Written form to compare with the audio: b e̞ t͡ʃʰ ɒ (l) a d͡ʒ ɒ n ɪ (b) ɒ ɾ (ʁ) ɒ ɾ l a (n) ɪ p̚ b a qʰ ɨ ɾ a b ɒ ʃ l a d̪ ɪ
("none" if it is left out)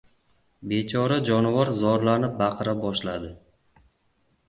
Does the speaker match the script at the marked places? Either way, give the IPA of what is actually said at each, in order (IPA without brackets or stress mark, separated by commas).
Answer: ɾ, v, z, n